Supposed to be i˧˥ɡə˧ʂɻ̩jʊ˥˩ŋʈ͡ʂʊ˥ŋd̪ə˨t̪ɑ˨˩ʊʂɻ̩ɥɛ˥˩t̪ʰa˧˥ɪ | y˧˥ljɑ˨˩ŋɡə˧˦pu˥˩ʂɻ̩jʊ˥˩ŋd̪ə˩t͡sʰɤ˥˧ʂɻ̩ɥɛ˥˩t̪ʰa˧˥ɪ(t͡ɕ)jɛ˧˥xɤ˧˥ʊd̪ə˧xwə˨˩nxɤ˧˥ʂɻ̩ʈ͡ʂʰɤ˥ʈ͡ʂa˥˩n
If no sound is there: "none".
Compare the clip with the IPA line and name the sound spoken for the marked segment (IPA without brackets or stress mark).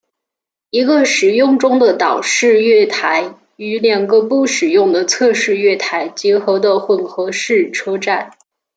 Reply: t͡ɕ